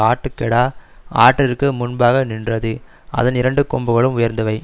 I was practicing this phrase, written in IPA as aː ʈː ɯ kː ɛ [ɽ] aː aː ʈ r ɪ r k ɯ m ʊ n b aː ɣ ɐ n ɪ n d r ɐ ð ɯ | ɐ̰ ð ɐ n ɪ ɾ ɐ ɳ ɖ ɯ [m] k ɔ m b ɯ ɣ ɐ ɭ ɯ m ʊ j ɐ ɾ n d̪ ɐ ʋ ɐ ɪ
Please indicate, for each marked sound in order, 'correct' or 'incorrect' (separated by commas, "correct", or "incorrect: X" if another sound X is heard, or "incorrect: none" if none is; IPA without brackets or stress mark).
correct, incorrect: none